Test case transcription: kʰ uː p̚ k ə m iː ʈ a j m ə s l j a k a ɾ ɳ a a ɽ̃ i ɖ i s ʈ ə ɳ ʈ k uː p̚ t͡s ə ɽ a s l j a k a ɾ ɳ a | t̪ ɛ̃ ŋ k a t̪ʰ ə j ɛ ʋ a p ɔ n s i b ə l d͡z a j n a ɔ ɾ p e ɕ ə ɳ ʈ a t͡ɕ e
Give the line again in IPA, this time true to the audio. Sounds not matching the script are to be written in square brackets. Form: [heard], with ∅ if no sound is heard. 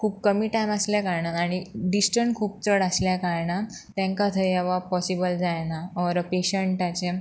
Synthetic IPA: kʰ uː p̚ k ə m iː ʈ a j m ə s l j a k a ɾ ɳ a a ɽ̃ i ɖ i s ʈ ə ɳ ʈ [kʰ] uː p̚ t͡s ə ɽ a s l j a k a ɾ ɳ a | t̪ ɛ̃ ŋ k a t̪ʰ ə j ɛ ʋ a p ɔ [∅] s i b ə l d͡z a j n a ɔ ɾ p e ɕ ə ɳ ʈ a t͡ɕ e